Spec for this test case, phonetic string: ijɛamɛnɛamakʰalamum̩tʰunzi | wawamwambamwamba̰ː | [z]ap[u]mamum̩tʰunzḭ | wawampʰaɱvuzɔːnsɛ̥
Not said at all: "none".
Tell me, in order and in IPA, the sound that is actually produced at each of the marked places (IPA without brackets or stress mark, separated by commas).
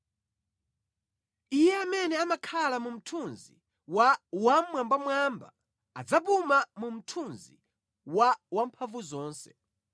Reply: d͡z, u